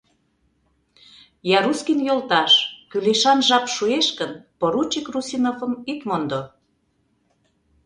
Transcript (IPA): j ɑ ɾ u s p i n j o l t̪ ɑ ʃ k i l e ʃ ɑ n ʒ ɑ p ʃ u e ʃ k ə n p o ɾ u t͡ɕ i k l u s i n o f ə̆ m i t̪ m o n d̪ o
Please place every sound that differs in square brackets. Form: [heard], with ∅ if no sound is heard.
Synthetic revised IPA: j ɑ ɾ u s [k] i n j o l t̪ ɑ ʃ k [y] l e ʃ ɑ n ʒ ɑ p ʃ u e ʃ k ə n p o ɾ u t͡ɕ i k [r] u s i n o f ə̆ m i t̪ m o n d̪ o